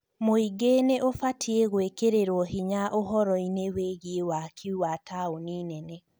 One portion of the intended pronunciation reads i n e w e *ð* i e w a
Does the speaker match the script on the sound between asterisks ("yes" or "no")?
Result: no